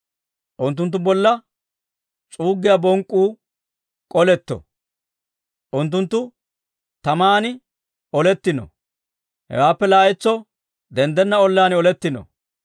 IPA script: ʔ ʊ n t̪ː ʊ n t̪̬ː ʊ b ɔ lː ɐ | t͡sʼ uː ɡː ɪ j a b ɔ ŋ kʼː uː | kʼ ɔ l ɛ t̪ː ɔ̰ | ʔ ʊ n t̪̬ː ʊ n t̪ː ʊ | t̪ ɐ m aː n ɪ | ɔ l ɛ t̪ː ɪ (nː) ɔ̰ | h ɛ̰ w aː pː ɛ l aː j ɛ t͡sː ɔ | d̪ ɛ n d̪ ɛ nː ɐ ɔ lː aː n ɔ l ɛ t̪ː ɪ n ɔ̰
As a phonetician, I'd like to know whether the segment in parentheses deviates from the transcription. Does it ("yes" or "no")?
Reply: yes